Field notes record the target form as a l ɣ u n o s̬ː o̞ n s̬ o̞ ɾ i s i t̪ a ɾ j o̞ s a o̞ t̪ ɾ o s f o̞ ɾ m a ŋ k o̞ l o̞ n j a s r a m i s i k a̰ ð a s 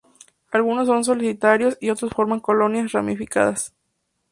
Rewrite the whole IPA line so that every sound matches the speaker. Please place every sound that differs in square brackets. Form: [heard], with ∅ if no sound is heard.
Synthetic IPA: a l ɣ u n o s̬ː o̞ n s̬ o̞ [l] i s i t̪ a ɾ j o̞ s [i] o̞ t̪ ɾ o s f o̞ ɾ m a ŋ k o̞ l o̞ n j a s r a m i [f] i k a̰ ð a s